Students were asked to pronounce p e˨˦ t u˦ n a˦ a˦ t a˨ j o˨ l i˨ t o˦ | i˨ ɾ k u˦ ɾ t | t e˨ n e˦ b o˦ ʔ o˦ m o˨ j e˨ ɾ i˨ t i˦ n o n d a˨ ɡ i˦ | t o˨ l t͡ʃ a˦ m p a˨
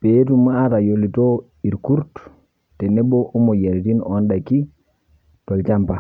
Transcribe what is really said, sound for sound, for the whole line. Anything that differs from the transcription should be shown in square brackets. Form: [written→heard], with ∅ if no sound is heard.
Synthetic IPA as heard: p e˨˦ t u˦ [n→m] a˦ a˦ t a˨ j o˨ l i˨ t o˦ | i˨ ɾ k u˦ ɾ t | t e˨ n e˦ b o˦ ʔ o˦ m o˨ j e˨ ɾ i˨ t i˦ n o n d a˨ [ɡ→k] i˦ | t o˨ l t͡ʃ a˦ m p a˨